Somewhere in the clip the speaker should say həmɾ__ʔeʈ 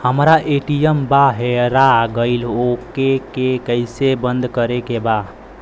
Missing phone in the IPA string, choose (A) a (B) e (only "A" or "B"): A